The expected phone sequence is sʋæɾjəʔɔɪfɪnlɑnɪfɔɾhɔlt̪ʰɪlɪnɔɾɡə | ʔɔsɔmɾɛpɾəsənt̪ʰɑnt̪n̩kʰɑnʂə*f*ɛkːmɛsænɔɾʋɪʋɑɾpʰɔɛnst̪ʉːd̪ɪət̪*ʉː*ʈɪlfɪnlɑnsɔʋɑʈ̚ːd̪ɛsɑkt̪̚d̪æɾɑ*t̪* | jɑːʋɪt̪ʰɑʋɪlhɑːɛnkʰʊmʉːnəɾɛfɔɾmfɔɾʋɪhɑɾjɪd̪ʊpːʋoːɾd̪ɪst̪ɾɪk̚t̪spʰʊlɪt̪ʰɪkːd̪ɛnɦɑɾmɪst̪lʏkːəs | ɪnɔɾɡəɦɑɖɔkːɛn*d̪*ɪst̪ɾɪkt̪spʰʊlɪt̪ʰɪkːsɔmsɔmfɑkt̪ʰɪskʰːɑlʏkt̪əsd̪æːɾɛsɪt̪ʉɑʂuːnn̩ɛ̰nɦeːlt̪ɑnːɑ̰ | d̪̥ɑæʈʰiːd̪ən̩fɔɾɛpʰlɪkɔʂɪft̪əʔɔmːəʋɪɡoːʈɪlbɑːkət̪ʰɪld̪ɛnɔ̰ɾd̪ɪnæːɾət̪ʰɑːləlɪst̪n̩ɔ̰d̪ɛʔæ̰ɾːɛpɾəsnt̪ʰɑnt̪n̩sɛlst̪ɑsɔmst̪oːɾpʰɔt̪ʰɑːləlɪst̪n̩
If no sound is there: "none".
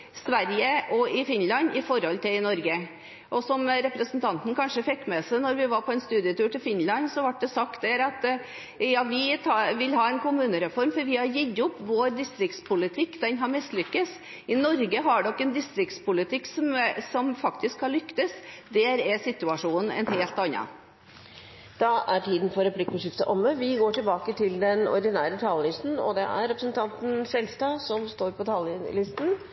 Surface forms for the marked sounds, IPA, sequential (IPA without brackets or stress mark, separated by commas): f, ʉː, t̪, d̪